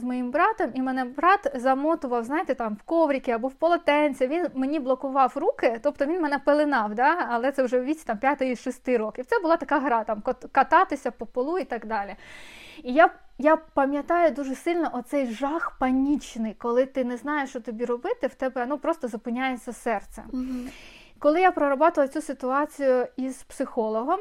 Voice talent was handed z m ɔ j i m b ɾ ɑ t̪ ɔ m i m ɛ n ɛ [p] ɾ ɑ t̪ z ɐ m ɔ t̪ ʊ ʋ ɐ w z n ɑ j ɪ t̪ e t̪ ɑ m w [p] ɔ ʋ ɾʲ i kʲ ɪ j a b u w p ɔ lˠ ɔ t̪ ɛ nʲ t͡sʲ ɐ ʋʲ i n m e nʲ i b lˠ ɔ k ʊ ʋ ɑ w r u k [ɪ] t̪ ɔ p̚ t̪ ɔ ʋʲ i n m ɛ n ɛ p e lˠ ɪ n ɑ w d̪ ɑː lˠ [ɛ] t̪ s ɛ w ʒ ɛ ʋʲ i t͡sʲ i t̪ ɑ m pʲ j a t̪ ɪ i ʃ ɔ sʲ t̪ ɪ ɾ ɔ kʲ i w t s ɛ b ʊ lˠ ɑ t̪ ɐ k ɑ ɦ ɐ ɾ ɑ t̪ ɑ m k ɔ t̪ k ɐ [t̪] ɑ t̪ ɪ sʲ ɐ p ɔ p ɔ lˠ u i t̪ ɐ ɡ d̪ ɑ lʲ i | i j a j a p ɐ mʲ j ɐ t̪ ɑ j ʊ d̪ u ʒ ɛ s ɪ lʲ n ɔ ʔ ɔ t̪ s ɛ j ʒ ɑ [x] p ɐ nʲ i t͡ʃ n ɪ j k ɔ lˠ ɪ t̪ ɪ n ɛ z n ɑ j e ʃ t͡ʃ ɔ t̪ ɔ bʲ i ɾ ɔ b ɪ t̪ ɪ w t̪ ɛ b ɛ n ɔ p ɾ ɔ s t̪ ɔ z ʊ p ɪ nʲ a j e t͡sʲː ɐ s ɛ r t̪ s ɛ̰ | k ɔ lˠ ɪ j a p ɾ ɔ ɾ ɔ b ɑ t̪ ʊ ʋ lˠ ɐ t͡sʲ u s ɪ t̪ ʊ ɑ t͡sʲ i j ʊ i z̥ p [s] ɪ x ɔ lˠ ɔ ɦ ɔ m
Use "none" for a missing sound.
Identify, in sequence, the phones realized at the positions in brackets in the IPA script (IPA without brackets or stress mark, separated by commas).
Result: b, k, ɪ, ɛ, t̪, x, s